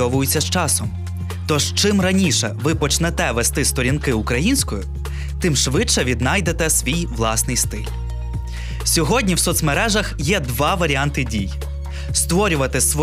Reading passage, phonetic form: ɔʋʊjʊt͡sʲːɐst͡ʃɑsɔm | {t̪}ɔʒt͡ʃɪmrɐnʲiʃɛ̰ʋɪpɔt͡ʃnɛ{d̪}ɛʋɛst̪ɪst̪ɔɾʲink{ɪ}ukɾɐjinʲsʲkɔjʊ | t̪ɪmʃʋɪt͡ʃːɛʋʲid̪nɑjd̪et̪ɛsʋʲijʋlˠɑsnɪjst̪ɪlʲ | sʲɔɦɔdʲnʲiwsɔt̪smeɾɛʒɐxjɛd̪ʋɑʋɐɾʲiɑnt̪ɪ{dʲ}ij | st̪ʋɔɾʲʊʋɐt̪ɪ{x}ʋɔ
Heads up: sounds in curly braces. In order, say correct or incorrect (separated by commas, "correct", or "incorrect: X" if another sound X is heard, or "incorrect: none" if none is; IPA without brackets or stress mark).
correct, incorrect: t̪, correct, correct, incorrect: s